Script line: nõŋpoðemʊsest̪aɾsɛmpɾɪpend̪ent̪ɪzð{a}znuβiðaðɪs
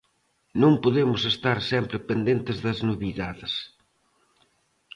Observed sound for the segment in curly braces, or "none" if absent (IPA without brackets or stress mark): ɐ